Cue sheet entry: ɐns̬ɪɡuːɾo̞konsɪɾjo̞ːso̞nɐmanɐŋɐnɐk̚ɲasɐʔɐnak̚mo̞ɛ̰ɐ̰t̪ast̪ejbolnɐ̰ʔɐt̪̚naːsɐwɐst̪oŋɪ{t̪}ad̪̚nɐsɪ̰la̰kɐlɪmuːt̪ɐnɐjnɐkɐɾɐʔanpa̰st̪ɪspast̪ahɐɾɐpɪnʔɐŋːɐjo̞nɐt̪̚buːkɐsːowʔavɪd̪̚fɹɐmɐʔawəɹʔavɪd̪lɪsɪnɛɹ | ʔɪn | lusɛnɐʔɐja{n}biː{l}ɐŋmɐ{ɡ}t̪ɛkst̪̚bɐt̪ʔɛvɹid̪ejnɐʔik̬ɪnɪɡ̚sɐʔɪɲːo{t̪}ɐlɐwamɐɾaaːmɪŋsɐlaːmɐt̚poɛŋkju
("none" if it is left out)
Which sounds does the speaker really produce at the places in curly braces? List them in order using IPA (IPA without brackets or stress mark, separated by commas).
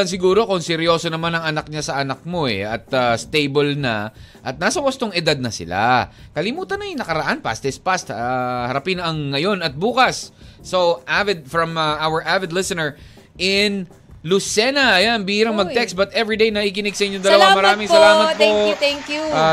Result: d̪, n, ɾ, ɡ, d̪